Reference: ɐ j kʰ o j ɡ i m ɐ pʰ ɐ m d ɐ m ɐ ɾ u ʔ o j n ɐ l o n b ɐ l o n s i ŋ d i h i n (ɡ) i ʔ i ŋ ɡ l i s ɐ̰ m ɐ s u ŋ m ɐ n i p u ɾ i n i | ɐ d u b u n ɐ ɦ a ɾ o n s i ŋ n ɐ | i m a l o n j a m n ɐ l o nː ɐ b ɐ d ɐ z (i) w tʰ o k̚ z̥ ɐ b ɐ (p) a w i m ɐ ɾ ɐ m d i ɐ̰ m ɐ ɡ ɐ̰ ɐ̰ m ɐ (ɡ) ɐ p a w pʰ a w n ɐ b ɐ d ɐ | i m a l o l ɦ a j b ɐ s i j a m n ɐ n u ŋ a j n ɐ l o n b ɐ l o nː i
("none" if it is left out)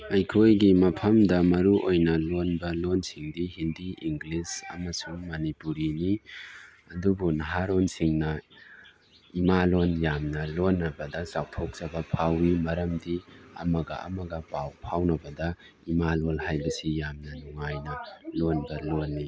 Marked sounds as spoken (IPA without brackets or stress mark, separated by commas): d, a, pʰ, ɡ